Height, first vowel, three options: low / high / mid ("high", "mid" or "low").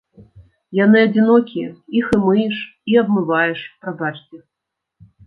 low